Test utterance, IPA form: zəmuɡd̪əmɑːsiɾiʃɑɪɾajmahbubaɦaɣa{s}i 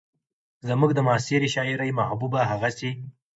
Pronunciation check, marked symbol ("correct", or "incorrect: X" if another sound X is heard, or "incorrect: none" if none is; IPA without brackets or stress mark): correct